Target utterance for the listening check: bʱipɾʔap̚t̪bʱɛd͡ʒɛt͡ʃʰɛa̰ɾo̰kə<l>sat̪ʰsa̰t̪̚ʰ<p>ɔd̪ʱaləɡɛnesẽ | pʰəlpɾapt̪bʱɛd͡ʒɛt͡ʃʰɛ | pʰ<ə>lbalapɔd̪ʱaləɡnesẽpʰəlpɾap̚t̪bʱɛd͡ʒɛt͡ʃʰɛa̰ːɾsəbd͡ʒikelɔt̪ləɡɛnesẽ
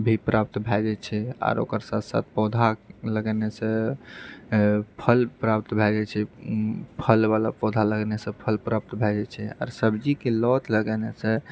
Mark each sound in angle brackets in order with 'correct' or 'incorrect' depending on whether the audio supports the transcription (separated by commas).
incorrect, correct, correct